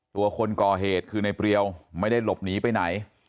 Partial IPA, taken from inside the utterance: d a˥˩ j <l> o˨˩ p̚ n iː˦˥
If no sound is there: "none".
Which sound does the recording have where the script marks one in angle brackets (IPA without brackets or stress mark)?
l